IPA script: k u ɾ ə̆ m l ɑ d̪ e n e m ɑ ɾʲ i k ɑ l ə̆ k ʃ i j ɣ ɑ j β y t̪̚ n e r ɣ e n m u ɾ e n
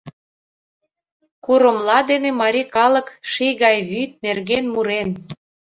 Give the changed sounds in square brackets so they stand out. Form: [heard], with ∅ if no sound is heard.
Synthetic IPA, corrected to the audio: k u ɾ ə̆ m l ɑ d̪ e n e m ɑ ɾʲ i k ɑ l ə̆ k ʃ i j ɣ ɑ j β y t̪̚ n e r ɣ e n m u ɾ e n